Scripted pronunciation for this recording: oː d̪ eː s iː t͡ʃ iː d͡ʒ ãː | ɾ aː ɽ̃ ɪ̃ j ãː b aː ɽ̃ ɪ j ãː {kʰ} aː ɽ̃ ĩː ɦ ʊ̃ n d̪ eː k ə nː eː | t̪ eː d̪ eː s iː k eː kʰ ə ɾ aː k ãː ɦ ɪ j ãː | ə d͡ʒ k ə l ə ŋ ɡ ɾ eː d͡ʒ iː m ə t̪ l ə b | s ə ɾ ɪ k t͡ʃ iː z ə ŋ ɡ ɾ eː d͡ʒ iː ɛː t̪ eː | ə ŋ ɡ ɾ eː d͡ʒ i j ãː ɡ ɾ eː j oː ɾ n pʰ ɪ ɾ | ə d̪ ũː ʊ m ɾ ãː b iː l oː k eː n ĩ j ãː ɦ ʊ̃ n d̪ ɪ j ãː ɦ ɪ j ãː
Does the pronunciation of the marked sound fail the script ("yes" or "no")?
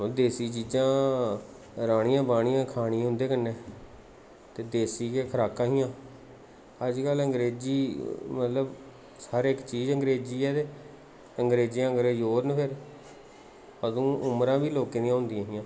no